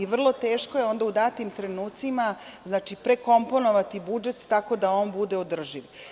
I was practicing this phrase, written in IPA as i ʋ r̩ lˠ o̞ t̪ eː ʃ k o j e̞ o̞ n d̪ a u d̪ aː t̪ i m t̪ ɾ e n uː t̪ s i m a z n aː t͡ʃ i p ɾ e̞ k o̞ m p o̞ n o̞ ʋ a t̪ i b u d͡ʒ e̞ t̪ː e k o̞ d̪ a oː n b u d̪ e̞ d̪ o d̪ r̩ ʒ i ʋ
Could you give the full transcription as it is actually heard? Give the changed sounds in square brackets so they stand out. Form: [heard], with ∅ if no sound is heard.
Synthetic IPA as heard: i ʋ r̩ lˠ o̞ t̪ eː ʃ k o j e̞ o̞ n d̪ a u d̪ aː t̪ i m t̪ ɾ e n uː t̪ s i m a z n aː t͡ʃ i p ɾ e̞ k o̞ m p o̞ n o̞ ʋ a t̪ i b u d͡ʒ e̞ t̪ː [a] k o̞ d̪ a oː n b u d̪ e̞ [∅] o d̪ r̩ ʒ i ʋ